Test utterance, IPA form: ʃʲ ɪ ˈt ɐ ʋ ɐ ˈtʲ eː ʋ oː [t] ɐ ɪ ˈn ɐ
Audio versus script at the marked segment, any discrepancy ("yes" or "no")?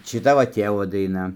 yes